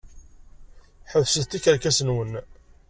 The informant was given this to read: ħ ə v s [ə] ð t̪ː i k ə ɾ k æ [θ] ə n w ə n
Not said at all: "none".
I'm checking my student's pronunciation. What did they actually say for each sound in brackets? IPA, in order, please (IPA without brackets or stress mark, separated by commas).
ə, s